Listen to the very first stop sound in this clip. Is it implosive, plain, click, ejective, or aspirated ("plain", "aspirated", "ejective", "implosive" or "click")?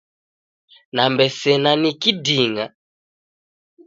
plain